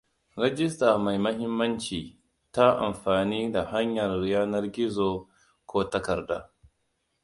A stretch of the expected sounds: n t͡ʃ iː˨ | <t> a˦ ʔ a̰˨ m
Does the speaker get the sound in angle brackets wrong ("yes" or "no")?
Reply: no